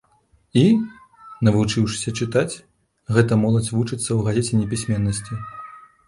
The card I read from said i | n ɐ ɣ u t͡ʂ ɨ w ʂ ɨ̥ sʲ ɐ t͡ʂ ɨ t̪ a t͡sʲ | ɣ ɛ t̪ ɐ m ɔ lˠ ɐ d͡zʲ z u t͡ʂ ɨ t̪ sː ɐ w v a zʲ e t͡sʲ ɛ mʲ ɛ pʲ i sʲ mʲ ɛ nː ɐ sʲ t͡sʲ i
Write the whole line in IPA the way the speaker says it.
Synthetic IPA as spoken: i | n ɐ v u t͡ʂ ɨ w ʂ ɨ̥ sʲ ɐ t͡ʂ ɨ t̪ a t͡sʲ | ɣ ɛ t̪ ɐ m ɔ lˠ ɐ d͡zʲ v u t͡ʂ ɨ t̪ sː ɐ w ɣ a zʲ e t͡sʲ ɛ nʲ ɛ pʲ i sʲ mʲ ɛ nː ɐ sʲ t͡sʲ i